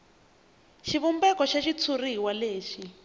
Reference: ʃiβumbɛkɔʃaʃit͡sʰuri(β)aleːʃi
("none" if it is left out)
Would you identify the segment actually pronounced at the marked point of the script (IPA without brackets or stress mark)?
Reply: w